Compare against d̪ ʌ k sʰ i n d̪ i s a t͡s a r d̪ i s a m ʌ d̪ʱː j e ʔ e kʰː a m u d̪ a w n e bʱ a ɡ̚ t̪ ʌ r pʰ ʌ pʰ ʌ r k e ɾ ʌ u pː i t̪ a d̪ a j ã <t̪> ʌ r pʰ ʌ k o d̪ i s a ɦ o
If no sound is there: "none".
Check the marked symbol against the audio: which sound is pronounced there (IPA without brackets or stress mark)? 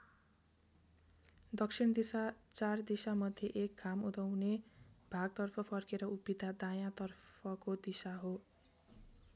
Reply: t̪